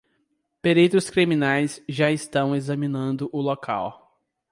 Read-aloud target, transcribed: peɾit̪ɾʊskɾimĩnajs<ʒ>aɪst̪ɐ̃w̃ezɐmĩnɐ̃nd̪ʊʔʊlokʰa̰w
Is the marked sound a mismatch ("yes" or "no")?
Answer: no